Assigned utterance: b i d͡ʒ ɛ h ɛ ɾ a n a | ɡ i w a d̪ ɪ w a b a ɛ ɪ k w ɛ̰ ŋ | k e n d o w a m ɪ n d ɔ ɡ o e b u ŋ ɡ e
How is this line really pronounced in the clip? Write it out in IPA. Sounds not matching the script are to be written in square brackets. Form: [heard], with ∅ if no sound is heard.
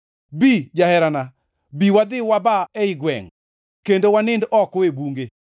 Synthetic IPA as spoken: b i d͡ʒ [a] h ɛ ɾ a n a | [b] i w a d̪ ɪ w a b a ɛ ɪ [ɡ] w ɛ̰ ŋ | k e n d o w a [n] ɪ n d ɔ [k] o e b u ŋ ɡ e